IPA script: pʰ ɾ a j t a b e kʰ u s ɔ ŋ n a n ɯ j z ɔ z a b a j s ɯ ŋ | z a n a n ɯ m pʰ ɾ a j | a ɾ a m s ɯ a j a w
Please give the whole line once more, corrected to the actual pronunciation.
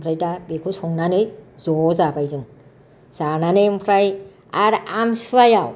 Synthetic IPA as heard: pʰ ɾ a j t a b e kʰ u s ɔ ŋ n a n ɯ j z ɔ z a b a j z ɯ ŋ | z a n a n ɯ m pʰ ɾ a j | a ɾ a m s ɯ a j a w